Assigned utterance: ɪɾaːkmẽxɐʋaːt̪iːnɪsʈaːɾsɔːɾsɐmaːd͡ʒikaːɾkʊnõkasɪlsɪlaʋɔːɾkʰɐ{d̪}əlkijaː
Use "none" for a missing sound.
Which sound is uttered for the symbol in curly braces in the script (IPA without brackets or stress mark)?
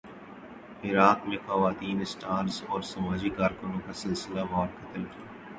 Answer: t̪